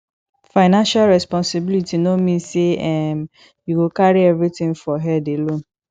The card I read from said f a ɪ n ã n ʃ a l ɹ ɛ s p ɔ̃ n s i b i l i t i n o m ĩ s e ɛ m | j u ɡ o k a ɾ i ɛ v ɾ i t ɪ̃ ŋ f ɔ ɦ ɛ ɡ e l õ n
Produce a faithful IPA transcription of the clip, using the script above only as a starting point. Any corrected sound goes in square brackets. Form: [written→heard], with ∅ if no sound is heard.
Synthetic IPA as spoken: f a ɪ n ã n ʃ a l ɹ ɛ s p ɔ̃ n s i b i l i t i n o m ĩ s e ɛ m | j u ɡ o k a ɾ i ɛ v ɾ i t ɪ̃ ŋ f ɔ ɦ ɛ [ɡ→d] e l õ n